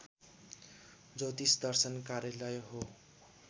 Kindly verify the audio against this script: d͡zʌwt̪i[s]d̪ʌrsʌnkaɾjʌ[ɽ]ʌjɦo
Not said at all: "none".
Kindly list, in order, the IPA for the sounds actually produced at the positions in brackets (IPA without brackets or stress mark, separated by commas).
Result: s, l